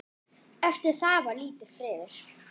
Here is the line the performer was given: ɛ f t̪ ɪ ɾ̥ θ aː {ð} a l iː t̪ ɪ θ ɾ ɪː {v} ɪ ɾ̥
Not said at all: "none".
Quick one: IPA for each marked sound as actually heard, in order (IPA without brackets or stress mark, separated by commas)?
v, ð